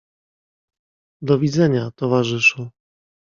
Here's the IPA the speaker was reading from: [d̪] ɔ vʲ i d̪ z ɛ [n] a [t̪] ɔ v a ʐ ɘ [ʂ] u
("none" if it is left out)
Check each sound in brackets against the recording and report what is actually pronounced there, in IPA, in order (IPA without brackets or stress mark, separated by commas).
d̪, ɲ, t̪, ʂ